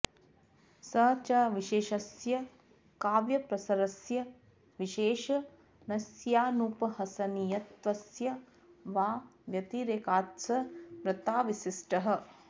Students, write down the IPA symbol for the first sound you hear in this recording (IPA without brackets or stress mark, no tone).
s